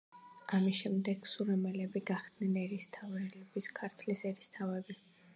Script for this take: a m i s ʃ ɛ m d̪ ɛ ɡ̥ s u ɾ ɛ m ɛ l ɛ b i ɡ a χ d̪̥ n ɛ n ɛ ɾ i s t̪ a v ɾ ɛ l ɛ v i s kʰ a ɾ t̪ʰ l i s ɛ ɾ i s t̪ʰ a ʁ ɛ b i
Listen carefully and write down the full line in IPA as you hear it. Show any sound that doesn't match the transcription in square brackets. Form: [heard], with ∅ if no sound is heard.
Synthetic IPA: a m i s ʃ ɛ m d̪ ɛ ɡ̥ s u ɾ ɛ m ɛ l ɛ b i ɡ a χ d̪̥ n ɛ n ɛ ɾ i s [t̪ʰ] a v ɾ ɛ l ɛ [b] i s kʰ a ɾ t̪ʰ l i s ɛ ɾ i s t̪ʰ a [v] ɛ b i